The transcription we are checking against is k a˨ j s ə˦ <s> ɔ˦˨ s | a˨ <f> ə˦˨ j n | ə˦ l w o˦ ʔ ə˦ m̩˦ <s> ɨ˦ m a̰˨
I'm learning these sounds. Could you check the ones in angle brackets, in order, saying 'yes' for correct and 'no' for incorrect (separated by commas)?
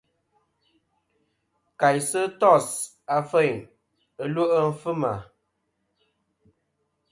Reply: no, yes, no